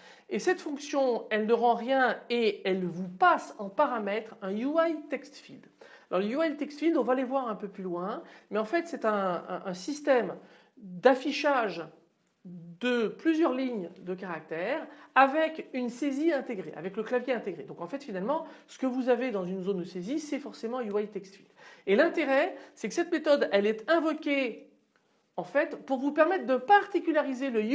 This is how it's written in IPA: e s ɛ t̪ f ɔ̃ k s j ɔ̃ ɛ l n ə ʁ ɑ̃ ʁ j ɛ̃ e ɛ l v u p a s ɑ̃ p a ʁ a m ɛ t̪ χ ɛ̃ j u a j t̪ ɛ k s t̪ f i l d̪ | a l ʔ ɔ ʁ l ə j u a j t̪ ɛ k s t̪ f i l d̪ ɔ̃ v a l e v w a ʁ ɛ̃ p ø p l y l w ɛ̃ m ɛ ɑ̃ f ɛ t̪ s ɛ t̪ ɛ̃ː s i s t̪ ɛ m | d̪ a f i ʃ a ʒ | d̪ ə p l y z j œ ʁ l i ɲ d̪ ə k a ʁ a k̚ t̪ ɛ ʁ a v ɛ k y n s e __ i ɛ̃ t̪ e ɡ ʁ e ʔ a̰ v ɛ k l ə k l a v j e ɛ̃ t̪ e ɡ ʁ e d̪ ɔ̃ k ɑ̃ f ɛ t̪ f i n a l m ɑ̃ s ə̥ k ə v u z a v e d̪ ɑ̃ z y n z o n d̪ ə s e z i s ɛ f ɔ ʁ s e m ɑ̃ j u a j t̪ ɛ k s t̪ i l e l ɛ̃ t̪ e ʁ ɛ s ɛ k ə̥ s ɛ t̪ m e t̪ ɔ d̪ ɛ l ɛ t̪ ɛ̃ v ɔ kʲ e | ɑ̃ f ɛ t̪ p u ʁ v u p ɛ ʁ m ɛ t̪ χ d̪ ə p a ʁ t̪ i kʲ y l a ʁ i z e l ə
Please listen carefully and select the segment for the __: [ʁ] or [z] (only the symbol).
z